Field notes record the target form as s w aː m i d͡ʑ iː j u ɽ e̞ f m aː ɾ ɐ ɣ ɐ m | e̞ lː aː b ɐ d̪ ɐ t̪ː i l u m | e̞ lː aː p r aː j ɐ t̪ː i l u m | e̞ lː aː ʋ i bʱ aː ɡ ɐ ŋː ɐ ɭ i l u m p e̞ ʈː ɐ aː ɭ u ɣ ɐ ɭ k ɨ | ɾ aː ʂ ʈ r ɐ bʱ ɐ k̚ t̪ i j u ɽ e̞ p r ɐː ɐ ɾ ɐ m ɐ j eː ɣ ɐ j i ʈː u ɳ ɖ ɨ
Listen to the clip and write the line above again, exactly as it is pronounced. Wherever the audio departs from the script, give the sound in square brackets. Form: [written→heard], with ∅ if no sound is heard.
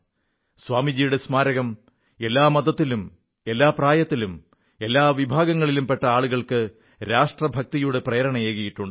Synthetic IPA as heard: s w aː m i d͡ʑ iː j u ɽ e̞ [f→s] m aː ɾ ɐ ɣ ɐ m | e̞ lː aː [b→m] ɐ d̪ ɐ t̪ː i l u m | e̞ lː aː p r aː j ɐ t̪ː i l u m | e̞ lː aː ʋ i bʱ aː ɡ ɐ ŋː ɐ ɭ i l u m p e̞ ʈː ɐ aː ɭ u ɣ ɐ ɭ k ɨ | ɾ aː ʂ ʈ r ɐ bʱ ɐ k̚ t̪ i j u ɽ e̞ p r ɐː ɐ ɾ ɐ [m→ɳ] ɐ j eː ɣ ɐ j i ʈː u ɳ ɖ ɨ

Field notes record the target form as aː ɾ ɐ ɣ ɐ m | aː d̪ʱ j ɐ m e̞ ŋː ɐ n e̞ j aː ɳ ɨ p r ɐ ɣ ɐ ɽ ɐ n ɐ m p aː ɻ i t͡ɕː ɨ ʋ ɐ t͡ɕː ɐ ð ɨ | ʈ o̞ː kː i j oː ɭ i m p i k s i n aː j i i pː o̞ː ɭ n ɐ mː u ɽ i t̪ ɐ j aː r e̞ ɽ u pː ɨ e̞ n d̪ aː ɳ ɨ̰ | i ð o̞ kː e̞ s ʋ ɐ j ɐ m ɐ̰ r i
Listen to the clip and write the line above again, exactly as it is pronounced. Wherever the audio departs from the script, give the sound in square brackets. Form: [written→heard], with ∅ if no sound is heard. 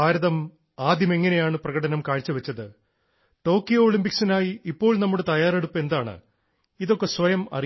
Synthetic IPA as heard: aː ɾ ɐ [ɣ→ð] ɐ m | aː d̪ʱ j ɐ m e̞ ŋː ɐ n e̞ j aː ɳ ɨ p r ɐ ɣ ɐ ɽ ɐ n ɐ m [p→k] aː ɻ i t͡ɕː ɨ ʋ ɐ t͡ɕː ɐ ð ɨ | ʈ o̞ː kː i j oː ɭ i m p i k s i n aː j i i pː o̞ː ɭ n ɐ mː u ɽ [i→e] t̪ ɐ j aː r e̞ ɽ u pː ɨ e̞ n d̪ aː ɳ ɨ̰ | i ð o̞ kː e̞ s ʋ ɐ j ɐ m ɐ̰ r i

